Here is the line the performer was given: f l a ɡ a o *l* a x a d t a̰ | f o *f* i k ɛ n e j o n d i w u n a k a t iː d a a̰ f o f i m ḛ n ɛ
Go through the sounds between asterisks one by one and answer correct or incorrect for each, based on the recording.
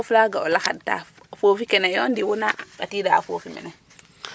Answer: correct, correct

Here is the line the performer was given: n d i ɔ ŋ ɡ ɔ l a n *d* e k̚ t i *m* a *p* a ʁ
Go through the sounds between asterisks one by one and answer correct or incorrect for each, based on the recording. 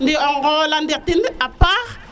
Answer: correct, incorrect: n, correct

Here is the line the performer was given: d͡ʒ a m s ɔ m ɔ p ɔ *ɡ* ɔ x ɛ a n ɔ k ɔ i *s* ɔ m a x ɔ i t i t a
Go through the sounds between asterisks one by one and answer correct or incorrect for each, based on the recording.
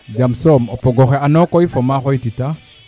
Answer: correct, incorrect: f

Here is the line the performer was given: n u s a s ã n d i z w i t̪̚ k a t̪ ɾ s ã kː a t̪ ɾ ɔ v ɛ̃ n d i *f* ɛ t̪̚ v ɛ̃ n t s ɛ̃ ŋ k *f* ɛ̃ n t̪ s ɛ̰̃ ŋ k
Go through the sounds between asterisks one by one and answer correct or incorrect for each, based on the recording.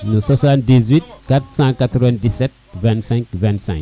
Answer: incorrect: s, incorrect: v

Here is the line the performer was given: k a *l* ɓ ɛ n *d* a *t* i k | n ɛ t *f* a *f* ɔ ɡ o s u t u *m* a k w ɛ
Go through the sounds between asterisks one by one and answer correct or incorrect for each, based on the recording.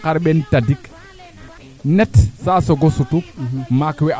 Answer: incorrect: ɾ, incorrect: t, incorrect: d, incorrect: s, incorrect: s, correct

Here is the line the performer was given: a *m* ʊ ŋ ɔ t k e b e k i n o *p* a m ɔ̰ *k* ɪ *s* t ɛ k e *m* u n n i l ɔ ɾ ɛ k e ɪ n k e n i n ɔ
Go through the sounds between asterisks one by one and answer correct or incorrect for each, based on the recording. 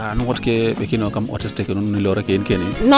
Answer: incorrect: n, incorrect: k, incorrect: t, correct, incorrect: n

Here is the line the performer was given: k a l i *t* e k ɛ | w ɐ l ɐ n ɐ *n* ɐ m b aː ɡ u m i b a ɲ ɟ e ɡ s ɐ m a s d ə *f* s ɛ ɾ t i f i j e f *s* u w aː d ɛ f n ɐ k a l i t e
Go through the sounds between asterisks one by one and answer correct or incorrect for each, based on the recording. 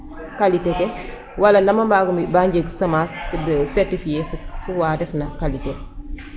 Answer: correct, incorrect: m, incorrect: none, incorrect: f

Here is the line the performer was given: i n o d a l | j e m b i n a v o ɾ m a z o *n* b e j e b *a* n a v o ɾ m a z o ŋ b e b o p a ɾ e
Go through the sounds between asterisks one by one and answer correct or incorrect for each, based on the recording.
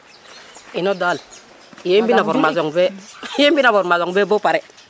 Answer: incorrect: ŋ, incorrect: i

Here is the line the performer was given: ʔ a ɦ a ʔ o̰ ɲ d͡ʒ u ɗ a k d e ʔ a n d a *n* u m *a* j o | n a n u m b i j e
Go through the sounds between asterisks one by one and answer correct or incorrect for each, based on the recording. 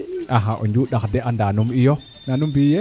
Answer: correct, incorrect: i

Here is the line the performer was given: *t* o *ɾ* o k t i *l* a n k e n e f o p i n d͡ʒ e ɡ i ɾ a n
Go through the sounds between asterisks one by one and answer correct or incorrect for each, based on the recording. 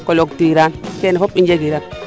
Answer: incorrect: k, incorrect: l, incorrect: ɾ

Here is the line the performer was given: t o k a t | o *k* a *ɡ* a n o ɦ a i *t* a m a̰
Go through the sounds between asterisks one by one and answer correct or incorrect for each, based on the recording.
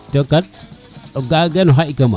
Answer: incorrect: ɡ, correct, incorrect: k

